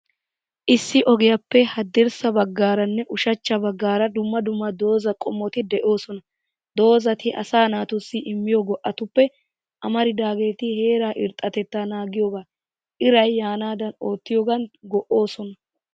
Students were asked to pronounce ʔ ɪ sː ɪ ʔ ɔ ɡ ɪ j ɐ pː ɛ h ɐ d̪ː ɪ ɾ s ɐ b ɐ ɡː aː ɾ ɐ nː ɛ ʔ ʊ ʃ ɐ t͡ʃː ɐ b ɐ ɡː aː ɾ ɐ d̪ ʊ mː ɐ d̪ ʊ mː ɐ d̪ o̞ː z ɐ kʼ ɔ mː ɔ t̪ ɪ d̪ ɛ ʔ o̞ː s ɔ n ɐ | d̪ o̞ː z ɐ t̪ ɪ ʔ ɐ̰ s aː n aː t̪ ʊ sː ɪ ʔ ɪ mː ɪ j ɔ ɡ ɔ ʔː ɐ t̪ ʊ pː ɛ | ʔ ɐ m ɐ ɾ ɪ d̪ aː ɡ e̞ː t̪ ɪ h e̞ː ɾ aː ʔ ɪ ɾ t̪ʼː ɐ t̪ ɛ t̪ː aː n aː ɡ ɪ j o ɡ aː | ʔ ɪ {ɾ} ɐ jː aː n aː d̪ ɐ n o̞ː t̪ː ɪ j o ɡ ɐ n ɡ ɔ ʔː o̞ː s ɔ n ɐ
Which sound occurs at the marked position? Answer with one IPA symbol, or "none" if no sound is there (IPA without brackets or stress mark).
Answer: ɾ